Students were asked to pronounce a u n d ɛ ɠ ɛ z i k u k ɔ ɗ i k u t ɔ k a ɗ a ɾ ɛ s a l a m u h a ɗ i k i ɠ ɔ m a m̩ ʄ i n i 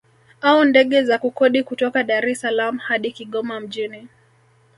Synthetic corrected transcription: a u n d ɛ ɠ ɛ z a k u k ɔ ɗ i k u t ɔ k a ɗ a ɾ ɛ s a l a m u h a ɗ i k i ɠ ɔ m a m̩ ʄ i n i